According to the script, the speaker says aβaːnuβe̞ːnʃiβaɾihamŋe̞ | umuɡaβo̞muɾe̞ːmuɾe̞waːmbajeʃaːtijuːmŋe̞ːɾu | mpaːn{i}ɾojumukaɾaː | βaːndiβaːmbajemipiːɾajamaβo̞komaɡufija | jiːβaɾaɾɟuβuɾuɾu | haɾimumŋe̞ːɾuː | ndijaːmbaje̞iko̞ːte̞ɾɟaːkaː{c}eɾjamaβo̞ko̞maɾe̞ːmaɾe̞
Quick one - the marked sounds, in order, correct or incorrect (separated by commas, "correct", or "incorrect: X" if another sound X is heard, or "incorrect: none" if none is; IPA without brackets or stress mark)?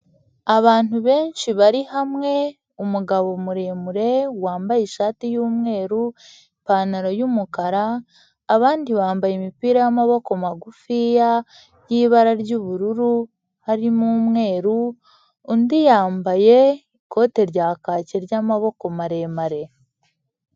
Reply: incorrect: a, correct